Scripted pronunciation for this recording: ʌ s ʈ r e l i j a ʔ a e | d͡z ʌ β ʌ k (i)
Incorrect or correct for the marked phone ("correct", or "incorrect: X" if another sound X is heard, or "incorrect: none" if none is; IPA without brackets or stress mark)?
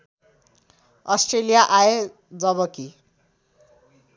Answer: correct